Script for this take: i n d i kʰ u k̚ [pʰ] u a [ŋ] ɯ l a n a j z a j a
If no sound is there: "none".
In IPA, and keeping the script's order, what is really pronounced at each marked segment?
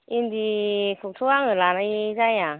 tʰ, ŋ

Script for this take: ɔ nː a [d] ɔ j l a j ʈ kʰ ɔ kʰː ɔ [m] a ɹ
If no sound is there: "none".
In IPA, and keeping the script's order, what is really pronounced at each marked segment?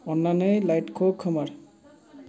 n, m

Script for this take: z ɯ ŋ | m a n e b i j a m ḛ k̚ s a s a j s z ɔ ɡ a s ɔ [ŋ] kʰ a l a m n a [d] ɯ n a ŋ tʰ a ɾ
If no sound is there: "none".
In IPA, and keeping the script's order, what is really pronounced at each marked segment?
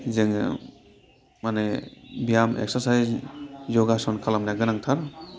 n, ɡ

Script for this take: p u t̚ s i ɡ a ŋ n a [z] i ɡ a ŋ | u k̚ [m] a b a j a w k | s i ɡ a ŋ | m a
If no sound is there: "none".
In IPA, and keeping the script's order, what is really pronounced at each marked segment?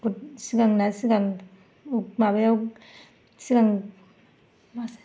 s, m

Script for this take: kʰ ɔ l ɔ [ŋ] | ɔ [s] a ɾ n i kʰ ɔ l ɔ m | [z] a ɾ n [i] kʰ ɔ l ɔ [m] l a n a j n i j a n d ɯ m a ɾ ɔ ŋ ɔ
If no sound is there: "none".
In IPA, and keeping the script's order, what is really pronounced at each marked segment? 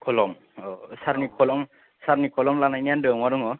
m, s, s, i, m

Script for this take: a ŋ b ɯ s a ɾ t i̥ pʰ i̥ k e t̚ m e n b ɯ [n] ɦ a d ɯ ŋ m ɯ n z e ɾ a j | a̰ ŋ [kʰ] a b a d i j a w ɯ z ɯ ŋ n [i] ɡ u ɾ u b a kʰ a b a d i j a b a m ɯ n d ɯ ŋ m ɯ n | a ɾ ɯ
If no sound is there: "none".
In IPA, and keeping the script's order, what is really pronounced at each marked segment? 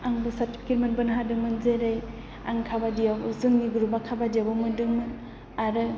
n, kʰ, i

